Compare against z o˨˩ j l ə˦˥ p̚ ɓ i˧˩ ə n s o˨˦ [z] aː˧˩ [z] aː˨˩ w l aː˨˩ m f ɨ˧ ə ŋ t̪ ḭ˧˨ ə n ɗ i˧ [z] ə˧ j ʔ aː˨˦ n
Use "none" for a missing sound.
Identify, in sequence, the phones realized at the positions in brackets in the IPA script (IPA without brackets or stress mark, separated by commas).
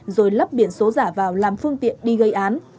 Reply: z, v, ɣ